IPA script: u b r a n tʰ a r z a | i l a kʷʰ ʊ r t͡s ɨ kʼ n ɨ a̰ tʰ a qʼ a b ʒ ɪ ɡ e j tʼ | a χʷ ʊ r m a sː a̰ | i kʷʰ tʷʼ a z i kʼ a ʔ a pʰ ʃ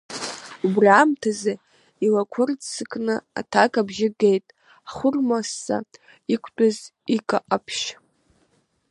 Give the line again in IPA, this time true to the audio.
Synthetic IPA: u b r a m tʰ a z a | i l a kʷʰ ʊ r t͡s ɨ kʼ n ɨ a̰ tʰ a kʼ a b ʒ ɪ ɡ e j tʼ | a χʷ ʊ r m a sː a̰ | i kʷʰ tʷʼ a z i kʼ a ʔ a pʰ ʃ